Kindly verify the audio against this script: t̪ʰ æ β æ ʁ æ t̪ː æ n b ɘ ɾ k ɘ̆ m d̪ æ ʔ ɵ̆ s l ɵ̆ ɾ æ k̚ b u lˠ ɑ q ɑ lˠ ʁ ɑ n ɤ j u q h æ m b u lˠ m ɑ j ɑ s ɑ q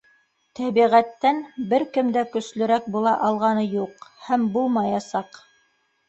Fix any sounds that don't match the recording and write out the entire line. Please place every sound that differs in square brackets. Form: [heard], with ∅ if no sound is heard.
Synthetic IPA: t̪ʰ æ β [i] ʁ æ t̪ː æ n b ɘ ɾ k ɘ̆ m d̪ æ [k] ɵ̆ s l ɵ̆ ɾ æ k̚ b u lˠ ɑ [ʔ] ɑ lˠ ʁ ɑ n ɤ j u q h æ m b u lˠ m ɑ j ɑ s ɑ q